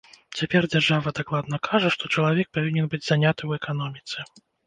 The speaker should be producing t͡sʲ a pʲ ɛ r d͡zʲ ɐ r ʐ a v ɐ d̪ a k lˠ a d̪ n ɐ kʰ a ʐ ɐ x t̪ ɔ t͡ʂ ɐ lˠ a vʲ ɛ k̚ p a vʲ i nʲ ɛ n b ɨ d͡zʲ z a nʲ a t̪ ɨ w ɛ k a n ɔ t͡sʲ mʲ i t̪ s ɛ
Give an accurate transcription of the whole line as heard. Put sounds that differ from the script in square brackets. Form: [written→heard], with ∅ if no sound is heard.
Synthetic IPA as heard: t͡sʲ a pʲ ɛ r d͡zʲ [ɐ→a] r ʐ a v ɐ d̪ a k lˠ a d̪ n ɐ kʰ a ʐ ɐ [x→ʂ] t̪ ɔ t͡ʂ ɐ lˠ a vʲ ɛ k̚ p a vʲ i nʲ ɛ n b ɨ d͡zʲ z a nʲ a t̪ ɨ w ɛ k a n ɔ [t͡sʲ→∅] mʲ i t̪ s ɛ